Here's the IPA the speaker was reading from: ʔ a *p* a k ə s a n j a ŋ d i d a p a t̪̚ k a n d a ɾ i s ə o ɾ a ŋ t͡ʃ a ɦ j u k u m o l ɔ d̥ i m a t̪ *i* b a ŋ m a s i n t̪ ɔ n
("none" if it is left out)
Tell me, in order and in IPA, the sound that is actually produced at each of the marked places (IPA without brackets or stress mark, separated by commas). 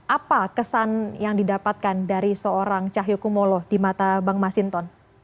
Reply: p, a